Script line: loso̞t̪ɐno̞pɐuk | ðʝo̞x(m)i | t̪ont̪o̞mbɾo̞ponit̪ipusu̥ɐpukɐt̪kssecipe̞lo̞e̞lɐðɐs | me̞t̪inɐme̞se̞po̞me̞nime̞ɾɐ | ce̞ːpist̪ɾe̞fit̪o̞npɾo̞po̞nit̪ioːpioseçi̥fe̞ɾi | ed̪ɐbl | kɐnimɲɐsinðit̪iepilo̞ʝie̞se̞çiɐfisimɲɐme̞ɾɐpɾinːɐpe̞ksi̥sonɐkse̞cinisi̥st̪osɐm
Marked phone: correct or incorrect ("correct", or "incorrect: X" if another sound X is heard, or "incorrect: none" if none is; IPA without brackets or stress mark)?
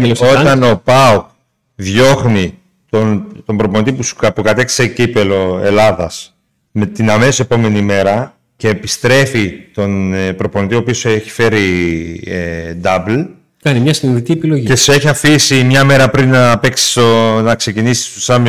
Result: incorrect: n